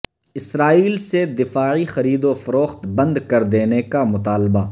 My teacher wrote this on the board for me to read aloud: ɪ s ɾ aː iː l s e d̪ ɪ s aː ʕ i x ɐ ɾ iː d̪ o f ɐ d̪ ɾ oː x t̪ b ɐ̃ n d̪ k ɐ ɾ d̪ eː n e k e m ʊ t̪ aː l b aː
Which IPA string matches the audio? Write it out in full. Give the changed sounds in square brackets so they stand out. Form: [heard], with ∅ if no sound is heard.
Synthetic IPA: ɪ s ɾ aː iː l s e d̪ ɪ [f] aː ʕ i x ɐ ɾ iː d̪ o f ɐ [∅] ɾ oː x t̪ b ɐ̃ n d̪ k ɐ ɾ d̪ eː n e k [a] m ʊ t̪ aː l b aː

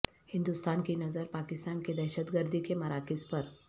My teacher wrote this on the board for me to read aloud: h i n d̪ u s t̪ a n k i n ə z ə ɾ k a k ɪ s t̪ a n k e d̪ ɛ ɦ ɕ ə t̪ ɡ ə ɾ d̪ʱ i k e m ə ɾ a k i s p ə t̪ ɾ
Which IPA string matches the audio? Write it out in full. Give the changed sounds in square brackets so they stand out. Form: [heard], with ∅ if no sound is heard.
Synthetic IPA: h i n d̪ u s t̪ a n k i n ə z ə ɾ [p] a k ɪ s t̪ a n k e d̪ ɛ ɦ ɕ ə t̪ ɡ ə ɾ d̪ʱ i k e m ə ɾ a k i s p ə [∅] ɾ

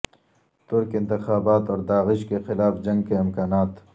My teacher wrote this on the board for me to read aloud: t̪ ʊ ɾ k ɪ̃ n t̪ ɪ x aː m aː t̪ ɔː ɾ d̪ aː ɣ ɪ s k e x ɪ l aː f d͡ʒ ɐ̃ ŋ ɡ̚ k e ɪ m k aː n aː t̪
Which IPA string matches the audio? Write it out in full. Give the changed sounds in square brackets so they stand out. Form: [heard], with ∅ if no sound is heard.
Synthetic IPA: t̪ ʊ ɾ k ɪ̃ n t̪ ɪ x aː [b] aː t̪ ɔː ɾ d̪ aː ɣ ɪ [ʃ] k e x ɪ l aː f d͡ʒ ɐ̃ ŋ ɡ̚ k e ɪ m k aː n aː t̪

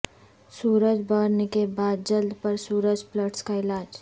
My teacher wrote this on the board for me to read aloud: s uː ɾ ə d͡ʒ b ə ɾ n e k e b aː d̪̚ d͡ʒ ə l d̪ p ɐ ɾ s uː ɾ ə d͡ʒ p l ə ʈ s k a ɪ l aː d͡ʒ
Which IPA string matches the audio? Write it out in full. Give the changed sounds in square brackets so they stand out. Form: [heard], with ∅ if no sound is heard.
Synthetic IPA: s uː ɾ ə d͡ʒ b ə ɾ n e k e b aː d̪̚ d͡ʒ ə l d̪ p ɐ ɾ s uː ɾ ə d͡ʒ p l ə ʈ s k a ɪ l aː d͡ʒ

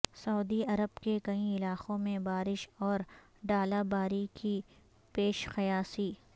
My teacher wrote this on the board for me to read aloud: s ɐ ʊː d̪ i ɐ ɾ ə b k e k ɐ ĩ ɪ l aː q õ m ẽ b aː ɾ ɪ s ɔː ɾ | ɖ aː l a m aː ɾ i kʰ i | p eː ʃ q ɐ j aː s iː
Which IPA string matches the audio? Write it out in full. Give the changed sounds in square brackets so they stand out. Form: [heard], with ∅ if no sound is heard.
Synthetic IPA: s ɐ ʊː d̪ i ɐ ɾ ə b k e k ɐ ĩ ɪ l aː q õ m ẽ b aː ɾ ɪ [ʃ] ɔː ɾ | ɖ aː l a [b] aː ɾ i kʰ i | p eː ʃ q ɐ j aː s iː

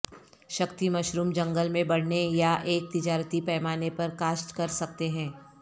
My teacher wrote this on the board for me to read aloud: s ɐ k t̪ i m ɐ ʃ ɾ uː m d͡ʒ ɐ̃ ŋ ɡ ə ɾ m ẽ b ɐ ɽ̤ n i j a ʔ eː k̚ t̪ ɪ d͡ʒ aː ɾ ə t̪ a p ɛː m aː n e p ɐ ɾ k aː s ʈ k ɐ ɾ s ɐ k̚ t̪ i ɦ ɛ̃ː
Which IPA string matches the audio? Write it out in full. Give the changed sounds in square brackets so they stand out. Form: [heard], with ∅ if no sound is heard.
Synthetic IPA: [ʃ] ɐ k t̪ i m ɐ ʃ ɾ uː m d͡ʒ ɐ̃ ŋ ɡ ə [l] m ẽ b ɐ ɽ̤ n [e] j a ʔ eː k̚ t̪ ɪ d͡ʒ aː ɾ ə t̪ [i] p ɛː m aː n e p ɐ ɾ k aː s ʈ k ɐ ɾ s ɐ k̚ t̪ [e] ɦ ɛ̃ː

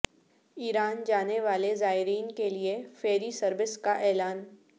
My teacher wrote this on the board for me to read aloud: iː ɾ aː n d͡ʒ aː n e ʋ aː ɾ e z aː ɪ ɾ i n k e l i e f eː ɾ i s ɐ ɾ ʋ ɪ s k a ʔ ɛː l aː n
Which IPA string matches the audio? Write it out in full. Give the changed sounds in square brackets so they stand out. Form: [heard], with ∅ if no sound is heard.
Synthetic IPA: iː ɾ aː n d͡ʒ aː n e ʋ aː [l] e z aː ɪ ɾ [iː] n k e l i e f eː ɾ i s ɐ ɾ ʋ ɪ s k a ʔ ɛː l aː n

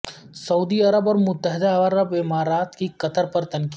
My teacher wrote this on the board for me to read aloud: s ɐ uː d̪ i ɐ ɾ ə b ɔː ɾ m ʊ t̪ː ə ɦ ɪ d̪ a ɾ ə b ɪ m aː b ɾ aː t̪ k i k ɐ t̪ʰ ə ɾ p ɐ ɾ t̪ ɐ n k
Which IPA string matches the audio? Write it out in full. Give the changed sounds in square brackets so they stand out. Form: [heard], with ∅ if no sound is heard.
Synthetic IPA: s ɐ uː d̪ i ɐ ɾ ə b ɔː ɾ m ʊ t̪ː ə ɦ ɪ d̪ a ɾ ə b ɪ m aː [∅] ɾ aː t̪ k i k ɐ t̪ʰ ə ɾ p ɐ ɾ t̪ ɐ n k

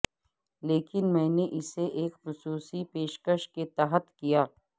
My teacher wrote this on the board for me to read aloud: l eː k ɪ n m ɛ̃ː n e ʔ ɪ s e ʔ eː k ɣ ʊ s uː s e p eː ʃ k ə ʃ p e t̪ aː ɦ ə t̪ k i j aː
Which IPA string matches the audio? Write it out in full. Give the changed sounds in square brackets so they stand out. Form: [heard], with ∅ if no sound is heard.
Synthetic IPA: l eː k ɪ n m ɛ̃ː n e ʔ ɪ s e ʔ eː k [x] ʊ s uː s [i] p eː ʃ k ə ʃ [k] e t̪ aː ɦ ə t̪ k i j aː

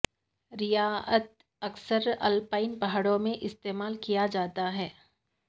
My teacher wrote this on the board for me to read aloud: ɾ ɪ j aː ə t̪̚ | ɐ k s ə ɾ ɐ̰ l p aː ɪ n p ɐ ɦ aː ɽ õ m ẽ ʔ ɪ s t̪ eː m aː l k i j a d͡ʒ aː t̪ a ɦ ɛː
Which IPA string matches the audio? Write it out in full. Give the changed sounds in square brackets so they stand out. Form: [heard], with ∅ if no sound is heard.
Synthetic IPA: ɾ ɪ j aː ə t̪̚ | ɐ k s ə ɾ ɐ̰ l p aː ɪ n p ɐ ɦ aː ɽ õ m ẽ ʔ ɪ s t̪ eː m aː l k i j a d͡ʒ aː t̪ a ɦ ɛː

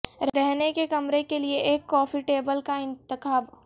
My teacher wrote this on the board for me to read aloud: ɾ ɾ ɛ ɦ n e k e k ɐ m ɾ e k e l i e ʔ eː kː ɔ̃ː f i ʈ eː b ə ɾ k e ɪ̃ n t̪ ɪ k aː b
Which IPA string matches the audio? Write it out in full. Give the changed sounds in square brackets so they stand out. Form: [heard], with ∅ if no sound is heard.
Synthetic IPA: ɾ ɾ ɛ ɦ n e k e k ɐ m ɾ e k e l i e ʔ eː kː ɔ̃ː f i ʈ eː b ə [l] k [a] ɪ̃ n t̪ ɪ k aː b

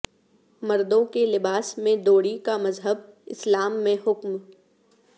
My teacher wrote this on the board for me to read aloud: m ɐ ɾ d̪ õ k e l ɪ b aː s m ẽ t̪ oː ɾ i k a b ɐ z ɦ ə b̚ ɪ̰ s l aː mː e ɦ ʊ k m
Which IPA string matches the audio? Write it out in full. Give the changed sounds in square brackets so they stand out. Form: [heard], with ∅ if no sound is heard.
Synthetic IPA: m ɐ ɾ d̪ õ k e l ɪ b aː s m ẽ [d̪] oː [ɽ] i k a [m] ɐ z ɦ ə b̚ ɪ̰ s l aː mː [ẽ] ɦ ʊ k m

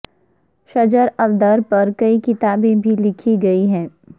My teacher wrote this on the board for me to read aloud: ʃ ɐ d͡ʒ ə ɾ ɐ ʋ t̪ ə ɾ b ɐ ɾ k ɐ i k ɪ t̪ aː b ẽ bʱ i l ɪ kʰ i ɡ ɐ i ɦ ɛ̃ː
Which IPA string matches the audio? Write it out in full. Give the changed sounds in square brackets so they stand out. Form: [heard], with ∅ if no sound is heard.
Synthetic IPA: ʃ ɐ d͡ʒ ə ɾ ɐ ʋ [d̪] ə ɾ [p] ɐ ɾ k ɐ i k ɪ t̪ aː b ẽ bʱ i l ɪ kʰ i ɡ ɐ i ɦ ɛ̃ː

